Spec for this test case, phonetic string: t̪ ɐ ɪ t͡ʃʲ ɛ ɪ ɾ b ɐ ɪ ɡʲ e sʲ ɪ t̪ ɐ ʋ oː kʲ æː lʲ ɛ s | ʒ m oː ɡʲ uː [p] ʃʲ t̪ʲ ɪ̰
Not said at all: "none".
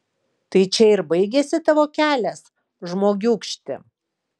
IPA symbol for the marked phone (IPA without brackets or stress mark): k